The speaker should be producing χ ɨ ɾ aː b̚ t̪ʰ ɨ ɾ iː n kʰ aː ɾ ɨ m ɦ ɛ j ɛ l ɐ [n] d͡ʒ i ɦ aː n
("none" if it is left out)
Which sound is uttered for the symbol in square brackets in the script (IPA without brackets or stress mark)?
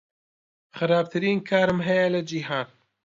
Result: none